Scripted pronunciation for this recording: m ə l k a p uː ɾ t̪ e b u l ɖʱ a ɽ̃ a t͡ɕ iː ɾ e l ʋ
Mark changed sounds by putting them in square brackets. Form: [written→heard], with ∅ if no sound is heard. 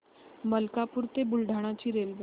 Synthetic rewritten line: m ə l k a p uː ɾ t̪ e b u l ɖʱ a ɽ̃ a t͡ɕ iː ɾ e l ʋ